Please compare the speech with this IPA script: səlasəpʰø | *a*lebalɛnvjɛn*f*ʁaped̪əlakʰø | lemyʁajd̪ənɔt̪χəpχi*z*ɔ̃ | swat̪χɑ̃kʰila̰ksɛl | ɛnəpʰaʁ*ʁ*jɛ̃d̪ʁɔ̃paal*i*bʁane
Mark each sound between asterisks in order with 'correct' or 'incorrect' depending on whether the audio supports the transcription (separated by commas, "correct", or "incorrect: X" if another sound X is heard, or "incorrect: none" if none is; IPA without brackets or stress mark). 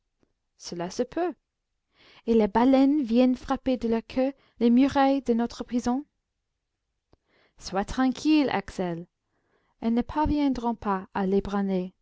incorrect: e, correct, correct, incorrect: v, incorrect: e